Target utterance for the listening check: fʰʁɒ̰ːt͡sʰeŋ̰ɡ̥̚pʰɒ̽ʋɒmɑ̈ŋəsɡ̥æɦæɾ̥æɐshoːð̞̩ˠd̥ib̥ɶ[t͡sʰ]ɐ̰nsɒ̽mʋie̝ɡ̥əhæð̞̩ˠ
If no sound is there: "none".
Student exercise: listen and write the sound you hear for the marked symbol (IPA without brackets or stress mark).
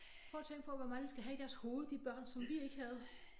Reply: none